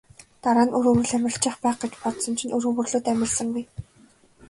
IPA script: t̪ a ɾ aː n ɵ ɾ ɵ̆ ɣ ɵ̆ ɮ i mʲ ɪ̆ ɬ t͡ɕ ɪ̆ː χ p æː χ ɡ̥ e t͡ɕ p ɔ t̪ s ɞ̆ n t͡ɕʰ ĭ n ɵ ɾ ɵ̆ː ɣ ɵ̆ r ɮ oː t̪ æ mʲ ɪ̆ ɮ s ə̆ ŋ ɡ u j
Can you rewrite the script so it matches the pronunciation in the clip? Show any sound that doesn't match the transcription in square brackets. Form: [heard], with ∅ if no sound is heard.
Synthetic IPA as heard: t̪ a ɾ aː n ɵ ɾ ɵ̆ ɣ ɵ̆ ɮ [æ] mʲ ɪ̆ ɬ t͡ɕ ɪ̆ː χ p æː χ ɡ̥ e t͡ɕ p ɔ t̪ s ɞ̆ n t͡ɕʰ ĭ n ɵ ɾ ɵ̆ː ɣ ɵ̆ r ɮ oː t̪ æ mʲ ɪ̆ ɮ s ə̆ ŋ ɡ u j